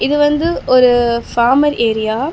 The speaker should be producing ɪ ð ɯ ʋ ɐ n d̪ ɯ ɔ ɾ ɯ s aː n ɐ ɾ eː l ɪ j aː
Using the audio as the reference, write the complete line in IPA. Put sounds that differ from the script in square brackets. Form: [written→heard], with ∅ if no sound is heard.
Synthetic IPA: ɪ ð ɯ ʋ ɐ n d̪ ɯ ɔ ɾ ɯ [s→f] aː [n→m] ɐ ɾ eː [l→ɾ] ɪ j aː